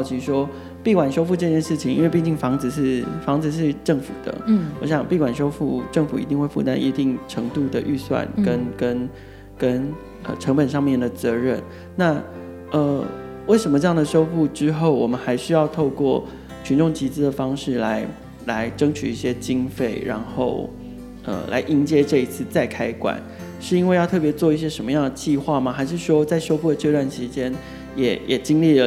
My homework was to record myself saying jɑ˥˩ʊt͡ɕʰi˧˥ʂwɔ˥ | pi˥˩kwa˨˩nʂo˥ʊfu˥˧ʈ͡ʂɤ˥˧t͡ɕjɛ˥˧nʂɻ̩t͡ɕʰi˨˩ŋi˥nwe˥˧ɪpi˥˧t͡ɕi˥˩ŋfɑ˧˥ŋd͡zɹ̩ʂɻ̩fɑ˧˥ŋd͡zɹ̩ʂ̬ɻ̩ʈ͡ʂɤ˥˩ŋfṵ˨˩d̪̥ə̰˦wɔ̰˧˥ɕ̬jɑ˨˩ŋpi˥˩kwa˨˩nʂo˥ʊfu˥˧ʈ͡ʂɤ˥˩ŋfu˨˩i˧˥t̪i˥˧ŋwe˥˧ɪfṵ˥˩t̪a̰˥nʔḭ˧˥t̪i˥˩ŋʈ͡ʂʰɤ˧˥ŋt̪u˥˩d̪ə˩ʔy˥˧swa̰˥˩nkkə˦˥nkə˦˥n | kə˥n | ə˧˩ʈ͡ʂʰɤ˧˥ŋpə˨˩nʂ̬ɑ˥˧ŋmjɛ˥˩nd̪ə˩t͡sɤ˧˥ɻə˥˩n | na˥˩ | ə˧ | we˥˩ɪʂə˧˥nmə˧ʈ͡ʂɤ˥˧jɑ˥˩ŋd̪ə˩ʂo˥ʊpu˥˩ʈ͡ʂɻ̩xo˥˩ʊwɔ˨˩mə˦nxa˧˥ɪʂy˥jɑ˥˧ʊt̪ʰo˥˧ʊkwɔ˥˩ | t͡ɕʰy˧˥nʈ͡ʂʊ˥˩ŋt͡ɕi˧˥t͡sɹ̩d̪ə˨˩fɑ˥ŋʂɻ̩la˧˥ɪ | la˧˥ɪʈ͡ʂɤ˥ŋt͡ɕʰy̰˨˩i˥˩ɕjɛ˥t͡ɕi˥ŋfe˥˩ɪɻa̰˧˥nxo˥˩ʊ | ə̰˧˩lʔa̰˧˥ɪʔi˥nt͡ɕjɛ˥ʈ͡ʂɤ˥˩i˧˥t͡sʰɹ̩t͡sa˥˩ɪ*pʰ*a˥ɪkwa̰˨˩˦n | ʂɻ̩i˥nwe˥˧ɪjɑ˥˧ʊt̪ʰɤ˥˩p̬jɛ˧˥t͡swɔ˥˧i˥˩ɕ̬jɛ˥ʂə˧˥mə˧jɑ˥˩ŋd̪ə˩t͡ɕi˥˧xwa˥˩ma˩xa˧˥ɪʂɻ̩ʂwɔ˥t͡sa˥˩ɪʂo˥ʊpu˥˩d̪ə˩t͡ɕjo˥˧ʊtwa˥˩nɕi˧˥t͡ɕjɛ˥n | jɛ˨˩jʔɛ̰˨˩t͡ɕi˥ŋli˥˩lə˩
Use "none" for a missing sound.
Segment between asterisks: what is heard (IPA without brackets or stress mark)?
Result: kʰ